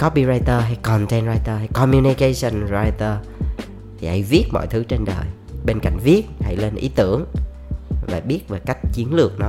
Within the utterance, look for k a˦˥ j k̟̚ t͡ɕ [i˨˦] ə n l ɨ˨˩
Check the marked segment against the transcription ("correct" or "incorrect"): correct